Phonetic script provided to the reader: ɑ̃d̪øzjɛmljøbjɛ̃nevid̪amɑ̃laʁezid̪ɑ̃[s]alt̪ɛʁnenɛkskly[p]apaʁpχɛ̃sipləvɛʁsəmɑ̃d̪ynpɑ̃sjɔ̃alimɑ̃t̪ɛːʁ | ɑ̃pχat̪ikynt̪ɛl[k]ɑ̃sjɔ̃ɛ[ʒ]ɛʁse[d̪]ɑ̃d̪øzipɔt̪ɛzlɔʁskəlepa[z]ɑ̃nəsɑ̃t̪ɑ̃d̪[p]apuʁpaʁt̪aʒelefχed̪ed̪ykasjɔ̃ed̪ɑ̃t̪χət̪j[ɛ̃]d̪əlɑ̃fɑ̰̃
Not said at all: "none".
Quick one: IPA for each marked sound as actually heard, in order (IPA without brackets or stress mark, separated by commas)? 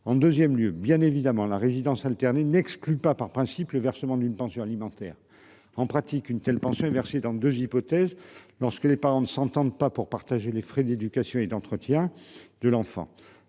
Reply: s, p, p, v, d̪, ʁ, p, ɛ̃